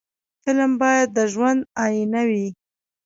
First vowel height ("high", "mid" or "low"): high